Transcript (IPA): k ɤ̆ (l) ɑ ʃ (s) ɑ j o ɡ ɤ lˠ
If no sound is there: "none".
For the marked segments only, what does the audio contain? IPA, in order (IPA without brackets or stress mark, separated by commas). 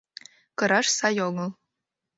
ɾ, s